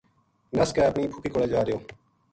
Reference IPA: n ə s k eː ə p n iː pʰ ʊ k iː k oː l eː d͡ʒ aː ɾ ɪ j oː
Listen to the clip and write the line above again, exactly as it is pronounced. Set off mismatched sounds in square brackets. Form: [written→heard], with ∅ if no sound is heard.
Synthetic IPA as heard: n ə s k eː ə p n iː pʰ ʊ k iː k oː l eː d͡ʒ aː ɾ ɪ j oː